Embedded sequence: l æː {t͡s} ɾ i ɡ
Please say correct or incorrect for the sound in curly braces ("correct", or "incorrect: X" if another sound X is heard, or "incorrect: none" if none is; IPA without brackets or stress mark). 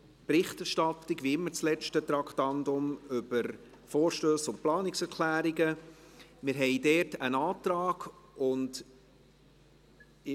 incorrect: none